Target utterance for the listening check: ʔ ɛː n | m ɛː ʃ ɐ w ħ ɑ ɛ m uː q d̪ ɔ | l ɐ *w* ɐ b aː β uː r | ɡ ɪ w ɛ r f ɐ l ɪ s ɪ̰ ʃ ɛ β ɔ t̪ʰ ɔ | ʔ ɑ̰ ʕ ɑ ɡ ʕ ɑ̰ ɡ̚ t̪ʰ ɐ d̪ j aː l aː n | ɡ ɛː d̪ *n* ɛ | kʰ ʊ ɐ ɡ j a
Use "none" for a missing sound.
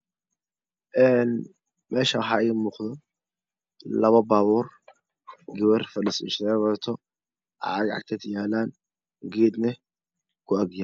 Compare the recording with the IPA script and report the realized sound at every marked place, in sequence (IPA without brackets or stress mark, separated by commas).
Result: β, n